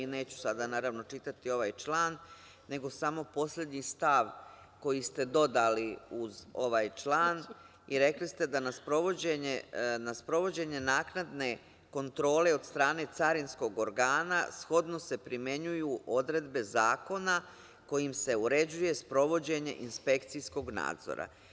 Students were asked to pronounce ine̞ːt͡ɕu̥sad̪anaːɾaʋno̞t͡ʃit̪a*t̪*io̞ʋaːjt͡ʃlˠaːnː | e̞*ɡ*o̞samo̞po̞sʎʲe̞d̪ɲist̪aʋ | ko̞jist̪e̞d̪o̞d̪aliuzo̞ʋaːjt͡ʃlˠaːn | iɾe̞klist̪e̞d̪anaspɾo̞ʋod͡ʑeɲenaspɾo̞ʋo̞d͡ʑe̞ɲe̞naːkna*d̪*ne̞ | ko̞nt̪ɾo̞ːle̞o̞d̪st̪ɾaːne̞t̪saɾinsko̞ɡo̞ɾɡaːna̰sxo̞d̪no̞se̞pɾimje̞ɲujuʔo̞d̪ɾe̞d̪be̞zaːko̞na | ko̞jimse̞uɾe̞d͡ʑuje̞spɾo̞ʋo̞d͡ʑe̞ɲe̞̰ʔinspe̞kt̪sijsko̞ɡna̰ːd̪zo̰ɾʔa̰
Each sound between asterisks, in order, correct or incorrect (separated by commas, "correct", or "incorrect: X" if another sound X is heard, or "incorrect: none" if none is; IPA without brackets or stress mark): correct, correct, correct